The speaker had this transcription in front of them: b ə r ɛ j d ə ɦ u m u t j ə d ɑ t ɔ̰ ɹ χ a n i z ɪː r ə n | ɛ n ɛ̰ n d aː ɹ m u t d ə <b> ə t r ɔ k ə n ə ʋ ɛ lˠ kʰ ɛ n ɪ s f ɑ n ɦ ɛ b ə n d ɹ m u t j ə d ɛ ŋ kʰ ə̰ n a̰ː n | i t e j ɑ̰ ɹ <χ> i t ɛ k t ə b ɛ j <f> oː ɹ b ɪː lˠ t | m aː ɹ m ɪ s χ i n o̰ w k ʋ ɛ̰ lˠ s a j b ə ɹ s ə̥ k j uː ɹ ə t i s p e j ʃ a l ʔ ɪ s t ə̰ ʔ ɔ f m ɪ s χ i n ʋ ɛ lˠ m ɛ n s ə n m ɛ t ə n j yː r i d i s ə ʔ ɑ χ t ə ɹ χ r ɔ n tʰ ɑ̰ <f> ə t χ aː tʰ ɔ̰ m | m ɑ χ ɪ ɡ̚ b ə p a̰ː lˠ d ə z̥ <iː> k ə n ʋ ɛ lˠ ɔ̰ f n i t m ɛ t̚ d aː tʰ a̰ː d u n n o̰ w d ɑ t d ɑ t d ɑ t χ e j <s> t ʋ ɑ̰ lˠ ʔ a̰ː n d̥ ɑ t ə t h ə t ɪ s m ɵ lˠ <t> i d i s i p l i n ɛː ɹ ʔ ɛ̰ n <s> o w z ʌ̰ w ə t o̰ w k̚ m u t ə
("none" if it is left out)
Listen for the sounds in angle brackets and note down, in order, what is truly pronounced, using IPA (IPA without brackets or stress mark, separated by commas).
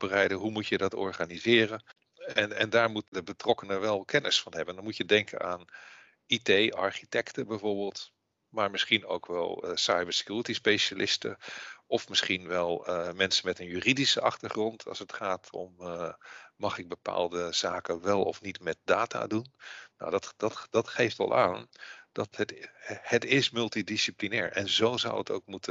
b, χ, v, s, aː, f, t, z